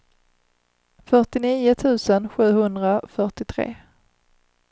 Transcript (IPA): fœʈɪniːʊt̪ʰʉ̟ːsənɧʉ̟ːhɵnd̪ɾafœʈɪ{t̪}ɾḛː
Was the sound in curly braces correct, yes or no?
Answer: no